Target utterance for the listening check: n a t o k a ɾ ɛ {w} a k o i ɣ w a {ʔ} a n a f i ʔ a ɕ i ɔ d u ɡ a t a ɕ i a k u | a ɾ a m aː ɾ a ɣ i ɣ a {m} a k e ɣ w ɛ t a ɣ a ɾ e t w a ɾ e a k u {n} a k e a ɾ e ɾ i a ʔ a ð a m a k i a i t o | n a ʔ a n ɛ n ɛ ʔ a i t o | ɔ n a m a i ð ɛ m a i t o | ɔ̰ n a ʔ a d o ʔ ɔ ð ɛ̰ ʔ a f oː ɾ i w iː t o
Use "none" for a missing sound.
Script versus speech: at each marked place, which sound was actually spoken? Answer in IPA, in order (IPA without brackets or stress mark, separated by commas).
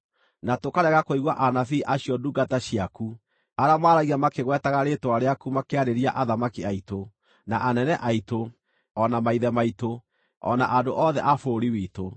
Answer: ɣ, ʔ, m, m